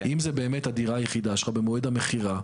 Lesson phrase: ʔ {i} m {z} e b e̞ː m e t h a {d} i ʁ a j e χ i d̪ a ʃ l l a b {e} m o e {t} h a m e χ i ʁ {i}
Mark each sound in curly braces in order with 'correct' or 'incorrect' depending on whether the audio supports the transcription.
correct, correct, correct, correct, incorrect: d, incorrect: a

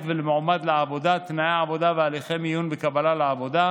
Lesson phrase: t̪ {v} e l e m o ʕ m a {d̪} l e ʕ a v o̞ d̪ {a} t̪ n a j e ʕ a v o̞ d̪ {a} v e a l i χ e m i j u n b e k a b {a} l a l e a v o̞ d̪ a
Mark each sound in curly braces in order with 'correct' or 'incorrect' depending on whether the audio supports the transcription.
correct, correct, correct, correct, correct

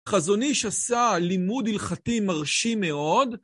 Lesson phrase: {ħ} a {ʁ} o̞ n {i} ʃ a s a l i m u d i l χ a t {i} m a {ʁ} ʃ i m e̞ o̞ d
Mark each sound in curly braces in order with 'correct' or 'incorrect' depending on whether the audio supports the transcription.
incorrect: χ, incorrect: z, correct, correct, correct

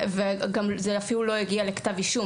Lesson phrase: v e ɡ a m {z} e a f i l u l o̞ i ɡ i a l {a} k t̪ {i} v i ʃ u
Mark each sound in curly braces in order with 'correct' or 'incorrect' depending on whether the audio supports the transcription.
correct, incorrect: e, incorrect: a

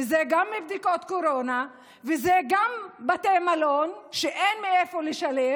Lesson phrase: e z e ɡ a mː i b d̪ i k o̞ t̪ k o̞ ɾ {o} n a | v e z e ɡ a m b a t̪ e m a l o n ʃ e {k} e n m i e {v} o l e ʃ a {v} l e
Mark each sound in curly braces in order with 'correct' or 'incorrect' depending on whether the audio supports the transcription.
correct, incorrect: ʔ, incorrect: f, incorrect: none

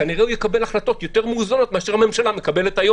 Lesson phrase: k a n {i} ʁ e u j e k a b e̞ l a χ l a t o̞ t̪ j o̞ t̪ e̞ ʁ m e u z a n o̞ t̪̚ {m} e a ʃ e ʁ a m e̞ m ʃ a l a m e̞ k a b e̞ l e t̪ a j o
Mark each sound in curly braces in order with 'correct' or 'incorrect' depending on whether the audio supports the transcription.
correct, correct

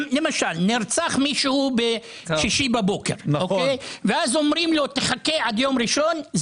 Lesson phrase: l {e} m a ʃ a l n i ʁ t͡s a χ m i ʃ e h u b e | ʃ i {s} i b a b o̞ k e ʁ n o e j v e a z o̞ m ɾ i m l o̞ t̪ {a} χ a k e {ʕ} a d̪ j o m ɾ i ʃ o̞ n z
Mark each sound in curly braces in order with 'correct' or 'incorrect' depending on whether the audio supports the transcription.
correct, incorrect: ʃ, incorrect: e, correct

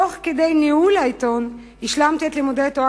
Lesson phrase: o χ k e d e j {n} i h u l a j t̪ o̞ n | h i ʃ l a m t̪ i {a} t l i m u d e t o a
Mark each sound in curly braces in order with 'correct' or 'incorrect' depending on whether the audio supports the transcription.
correct, incorrect: e

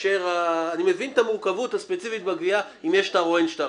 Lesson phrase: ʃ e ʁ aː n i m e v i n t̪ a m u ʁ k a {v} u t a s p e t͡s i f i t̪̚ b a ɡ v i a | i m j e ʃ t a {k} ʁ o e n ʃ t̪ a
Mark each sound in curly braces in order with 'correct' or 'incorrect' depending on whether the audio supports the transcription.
correct, incorrect: none

